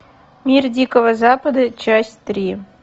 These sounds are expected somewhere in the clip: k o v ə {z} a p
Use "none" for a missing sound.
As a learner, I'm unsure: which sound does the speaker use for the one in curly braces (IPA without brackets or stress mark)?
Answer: z